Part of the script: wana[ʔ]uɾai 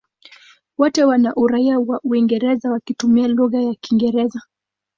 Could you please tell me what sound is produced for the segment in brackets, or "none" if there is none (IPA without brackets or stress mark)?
ʔ